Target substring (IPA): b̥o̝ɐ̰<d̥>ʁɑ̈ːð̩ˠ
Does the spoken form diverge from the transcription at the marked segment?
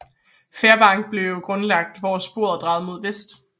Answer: no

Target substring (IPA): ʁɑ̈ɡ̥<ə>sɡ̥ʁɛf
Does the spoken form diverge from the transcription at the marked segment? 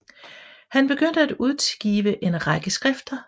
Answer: no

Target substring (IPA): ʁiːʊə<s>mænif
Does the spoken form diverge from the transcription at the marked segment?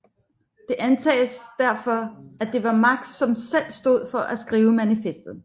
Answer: yes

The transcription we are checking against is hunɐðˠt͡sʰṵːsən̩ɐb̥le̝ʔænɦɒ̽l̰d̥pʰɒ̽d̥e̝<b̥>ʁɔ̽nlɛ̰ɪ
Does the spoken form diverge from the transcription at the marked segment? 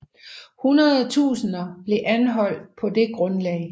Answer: yes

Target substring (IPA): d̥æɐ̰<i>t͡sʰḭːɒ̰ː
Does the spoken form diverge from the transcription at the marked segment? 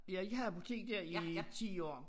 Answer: no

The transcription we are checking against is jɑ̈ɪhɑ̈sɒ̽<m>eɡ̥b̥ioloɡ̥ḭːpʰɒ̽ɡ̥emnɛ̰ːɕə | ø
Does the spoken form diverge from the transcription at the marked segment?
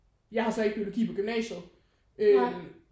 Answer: yes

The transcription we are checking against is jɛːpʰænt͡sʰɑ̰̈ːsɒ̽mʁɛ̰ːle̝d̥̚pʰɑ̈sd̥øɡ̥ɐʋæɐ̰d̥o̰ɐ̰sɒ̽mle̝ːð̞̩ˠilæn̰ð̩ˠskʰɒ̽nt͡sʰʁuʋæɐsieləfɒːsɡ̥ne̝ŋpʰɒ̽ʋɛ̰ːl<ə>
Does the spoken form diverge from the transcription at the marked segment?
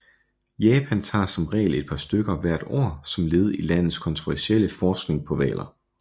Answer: yes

